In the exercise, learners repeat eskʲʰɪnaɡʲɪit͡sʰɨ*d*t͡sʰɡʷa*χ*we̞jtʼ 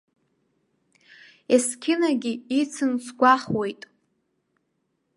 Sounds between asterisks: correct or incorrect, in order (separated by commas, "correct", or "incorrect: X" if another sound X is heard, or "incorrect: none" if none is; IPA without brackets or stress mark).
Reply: incorrect: n, correct